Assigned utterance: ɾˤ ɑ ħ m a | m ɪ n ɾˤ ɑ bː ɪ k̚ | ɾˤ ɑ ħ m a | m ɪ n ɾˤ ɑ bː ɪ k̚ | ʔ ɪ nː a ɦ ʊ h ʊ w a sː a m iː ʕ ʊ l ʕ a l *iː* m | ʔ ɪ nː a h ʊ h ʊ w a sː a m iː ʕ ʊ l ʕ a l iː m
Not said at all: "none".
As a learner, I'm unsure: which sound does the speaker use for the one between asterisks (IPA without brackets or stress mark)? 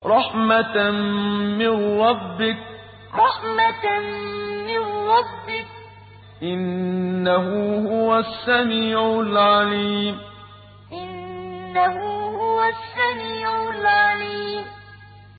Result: iː